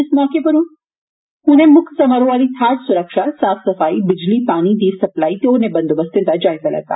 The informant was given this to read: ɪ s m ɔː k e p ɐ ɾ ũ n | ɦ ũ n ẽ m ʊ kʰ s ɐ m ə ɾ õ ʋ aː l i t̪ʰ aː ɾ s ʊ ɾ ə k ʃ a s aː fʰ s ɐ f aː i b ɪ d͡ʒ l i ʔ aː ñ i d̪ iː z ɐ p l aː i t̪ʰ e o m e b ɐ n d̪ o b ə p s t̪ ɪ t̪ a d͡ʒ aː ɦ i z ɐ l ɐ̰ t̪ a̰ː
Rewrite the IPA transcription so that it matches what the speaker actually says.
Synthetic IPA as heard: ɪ s m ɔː k e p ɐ ɾ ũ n | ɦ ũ n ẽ m ʊ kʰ s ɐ m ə ɾ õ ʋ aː l i t̪ʰ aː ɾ s ʊ ɾ ə k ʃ a s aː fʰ s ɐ f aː i b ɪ d͡ʒ l i p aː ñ i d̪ iː s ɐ p l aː i t̪ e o n e b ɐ n d̪ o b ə s t̪ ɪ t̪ a d͡ʒ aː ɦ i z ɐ l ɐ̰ t̪ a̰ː